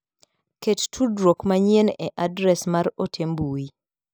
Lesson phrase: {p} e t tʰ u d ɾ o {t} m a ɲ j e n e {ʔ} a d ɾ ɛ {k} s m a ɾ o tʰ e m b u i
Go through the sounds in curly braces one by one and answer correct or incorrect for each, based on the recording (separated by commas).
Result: incorrect, incorrect, correct, incorrect